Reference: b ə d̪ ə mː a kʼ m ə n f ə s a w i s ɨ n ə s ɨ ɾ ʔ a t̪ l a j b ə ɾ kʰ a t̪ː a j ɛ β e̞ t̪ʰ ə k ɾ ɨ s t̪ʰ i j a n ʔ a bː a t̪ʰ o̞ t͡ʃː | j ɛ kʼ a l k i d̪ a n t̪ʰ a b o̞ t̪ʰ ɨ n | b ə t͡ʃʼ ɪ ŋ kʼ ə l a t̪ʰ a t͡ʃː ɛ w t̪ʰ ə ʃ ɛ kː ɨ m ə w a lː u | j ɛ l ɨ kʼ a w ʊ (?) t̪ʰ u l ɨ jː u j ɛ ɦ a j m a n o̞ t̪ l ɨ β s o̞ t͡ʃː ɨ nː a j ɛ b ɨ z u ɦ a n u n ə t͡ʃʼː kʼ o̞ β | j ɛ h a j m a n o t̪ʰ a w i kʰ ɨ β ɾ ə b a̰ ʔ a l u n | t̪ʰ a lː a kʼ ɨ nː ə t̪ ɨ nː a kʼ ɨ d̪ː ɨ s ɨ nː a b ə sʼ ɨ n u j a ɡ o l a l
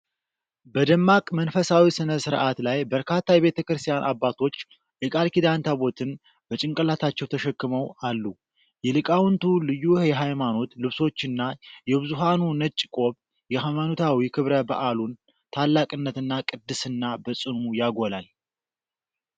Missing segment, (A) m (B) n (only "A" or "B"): B